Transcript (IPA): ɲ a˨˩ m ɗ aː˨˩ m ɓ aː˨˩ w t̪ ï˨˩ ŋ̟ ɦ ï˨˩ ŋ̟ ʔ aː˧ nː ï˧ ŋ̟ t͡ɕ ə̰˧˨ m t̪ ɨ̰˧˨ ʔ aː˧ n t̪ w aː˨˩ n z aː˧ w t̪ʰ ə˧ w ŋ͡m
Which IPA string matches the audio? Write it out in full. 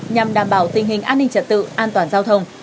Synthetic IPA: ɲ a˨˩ m ɗ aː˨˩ m ɓ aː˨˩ w t̪ ï˨˩ ŋ̟ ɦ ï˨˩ ŋ̟ ʔ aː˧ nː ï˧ ŋ̟ t͡ɕ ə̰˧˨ n t̪ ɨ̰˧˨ ʔ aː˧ n t̪ w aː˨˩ n z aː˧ w t̪ʰ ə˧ w ŋ͡m

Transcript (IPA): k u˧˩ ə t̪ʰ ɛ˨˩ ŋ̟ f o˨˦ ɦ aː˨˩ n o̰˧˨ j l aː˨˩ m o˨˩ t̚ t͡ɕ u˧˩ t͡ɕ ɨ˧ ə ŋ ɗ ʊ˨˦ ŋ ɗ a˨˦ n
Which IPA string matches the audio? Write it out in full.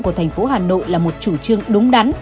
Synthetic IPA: k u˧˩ ə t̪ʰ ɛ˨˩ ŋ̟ f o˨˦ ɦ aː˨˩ n o̰˧˨ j l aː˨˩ m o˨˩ t̚ t͡ɕ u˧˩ t͡ɕ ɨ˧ ə ŋ ɗ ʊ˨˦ ŋ͡m ɗ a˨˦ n

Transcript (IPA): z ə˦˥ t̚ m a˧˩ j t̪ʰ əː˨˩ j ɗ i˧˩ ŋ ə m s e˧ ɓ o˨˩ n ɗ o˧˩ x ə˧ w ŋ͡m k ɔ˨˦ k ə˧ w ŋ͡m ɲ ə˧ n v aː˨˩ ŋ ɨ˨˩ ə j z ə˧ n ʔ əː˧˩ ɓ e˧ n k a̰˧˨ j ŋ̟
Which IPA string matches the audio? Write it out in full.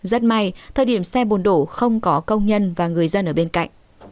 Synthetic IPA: z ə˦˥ t̚ m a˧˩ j t̪ʰ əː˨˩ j ɗ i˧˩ ə m s ɛ˧ ɓ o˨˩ n ɗ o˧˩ x ə˧ w ŋ͡m k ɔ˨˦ k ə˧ w ŋ͡m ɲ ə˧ n v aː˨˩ ŋ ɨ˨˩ ə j z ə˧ n ʔ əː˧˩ ɓ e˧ n k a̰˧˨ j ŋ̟

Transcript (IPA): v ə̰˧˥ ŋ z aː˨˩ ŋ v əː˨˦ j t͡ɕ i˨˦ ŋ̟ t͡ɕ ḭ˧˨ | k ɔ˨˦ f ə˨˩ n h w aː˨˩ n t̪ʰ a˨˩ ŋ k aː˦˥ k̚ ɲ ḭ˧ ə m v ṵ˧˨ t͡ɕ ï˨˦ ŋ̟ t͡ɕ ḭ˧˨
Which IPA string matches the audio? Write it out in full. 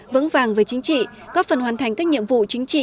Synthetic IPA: v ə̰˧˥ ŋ v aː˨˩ ŋ v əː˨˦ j t͡ɕ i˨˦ ŋ̟ t͡ɕ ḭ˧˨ | k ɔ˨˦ f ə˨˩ n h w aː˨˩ n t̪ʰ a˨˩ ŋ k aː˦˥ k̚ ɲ ḭ˧ ə m v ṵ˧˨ t͡ɕ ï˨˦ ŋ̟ t͡ɕ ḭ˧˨

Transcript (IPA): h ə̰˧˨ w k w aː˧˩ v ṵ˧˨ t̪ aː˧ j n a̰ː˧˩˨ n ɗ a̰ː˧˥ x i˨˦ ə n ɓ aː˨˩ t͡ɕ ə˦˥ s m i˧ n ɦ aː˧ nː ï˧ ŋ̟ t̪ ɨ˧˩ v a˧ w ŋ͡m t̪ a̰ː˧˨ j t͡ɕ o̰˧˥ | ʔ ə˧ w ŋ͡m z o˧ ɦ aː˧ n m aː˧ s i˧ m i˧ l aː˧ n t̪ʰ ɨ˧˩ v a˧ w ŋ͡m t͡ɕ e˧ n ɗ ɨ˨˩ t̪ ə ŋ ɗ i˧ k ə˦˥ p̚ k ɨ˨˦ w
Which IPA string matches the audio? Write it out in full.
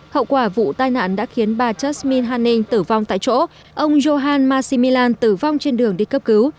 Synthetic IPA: h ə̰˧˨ w k w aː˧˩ v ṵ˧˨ t̪ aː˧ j n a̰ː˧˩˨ n ɗ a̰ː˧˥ x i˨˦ ə n ɓ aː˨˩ t͡ɕ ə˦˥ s m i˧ n ɦ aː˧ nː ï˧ ŋ̟ t̪ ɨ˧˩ v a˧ w ŋ͡m t̪ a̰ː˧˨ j t͡ɕ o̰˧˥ | ʔ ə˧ w ŋ͡m z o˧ ɦ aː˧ n m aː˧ s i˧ m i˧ l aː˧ n t̪ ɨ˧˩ v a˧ w ŋ͡m t͡ɕ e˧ n ɗ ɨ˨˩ ə ŋ ɗ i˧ k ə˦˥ p̚ k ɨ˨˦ w

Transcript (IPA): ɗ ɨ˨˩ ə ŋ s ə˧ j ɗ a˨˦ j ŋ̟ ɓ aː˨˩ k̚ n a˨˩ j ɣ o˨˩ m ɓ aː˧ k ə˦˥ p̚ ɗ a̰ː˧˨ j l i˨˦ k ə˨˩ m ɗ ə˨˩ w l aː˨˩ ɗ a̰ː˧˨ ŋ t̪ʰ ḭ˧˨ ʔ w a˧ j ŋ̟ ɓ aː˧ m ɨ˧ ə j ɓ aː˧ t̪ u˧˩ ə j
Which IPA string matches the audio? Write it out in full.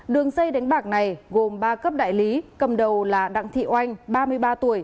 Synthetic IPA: ɗ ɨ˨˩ ə ŋ s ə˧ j ɗ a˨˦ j ŋ̟ ɓ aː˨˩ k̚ n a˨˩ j ɣ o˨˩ m ɓ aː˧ k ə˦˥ p̚ ɗ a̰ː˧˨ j l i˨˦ k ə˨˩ m ɗ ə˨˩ w l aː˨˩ ɗ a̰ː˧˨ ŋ t̪ʰ ḭ˧˨ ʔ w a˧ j ŋ̟ ɓ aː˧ m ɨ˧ ə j ɓ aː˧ t̪ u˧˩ ə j

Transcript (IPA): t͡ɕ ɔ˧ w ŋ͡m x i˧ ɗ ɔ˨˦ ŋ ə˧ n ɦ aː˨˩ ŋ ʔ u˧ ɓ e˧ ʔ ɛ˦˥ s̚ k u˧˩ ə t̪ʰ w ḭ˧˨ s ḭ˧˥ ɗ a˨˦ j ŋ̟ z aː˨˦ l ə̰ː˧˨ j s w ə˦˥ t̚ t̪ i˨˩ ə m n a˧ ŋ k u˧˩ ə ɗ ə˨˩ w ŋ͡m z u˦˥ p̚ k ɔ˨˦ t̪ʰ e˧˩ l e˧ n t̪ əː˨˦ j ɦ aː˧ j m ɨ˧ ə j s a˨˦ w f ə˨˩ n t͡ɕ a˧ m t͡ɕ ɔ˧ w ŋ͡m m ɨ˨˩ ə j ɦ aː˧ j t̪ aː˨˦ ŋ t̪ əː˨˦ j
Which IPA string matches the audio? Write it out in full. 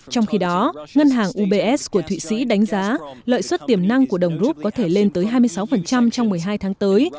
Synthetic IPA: t͡ɕ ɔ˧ w ŋ͡m x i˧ ɗ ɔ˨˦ ŋ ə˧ n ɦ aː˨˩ ŋ ʔ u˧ ɓ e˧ ʔ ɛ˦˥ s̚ k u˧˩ ə t̪ʰ w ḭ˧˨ s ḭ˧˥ ɗ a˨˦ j ŋ̟ z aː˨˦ l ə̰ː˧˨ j s w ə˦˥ t̚ t̪ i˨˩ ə m n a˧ ŋ k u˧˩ ə ɗ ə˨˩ w ŋ͡m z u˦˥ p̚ k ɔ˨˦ t̪ʰ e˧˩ l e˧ n t̪ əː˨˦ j ɦ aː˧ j m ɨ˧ ə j s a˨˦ w f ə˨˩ n t͡ɕ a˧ m t͡ɕ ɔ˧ w ŋ͡m m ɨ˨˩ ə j ɦ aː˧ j t̪ʰ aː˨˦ ŋ t̪ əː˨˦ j

